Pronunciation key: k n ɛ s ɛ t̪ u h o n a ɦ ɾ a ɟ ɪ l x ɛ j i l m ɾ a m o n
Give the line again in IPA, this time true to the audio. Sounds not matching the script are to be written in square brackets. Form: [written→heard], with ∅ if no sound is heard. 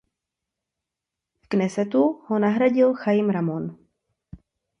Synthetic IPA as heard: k n ɛ s ɛ t̪ u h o n a ɦ ɾ a ɟ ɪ l x [ɛ→a] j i [l→∅] m ɾ a m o n